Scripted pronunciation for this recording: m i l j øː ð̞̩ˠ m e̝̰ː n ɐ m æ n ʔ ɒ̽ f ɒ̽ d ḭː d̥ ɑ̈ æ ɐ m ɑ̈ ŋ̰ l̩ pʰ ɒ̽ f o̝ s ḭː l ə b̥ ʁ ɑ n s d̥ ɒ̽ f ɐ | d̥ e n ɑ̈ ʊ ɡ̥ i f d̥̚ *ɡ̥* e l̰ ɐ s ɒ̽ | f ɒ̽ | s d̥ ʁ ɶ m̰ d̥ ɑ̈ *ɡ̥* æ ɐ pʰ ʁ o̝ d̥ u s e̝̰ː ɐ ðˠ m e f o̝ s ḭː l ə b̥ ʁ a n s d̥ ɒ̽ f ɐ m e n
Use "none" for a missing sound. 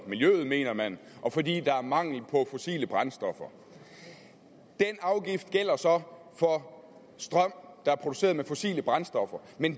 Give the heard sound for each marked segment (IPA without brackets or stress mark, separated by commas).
ɡ̥, none